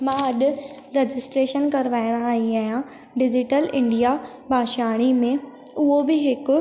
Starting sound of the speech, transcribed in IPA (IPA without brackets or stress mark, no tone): m